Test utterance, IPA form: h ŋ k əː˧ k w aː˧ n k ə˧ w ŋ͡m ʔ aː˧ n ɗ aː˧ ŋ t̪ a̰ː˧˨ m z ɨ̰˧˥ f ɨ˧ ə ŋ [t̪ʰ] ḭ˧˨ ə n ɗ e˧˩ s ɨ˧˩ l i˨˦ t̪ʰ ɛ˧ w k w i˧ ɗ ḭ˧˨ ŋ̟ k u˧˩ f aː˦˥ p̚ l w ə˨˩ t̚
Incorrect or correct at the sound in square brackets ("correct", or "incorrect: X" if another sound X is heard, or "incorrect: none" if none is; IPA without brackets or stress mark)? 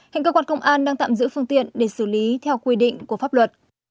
incorrect: t̪